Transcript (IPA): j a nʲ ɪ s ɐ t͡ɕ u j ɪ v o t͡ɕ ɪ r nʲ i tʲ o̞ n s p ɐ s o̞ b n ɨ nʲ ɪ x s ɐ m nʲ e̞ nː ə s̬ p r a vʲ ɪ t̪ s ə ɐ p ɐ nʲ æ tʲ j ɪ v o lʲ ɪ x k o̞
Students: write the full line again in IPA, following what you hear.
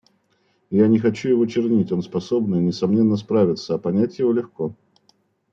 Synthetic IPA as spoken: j a nʲ ɪ x ɐ t͡ɕ u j ɪ v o t͡ɕ ɪ r nʲ i tʲ o̞ n s p ɐ s o̞ b n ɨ nʲ ɪ s ɐ m nʲ e̞ nː ə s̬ p ɾ a vʲ ɪ t̪ s ə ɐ p ɐ nʲ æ tʲ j ɪ v o lʲ ɪ x k o̞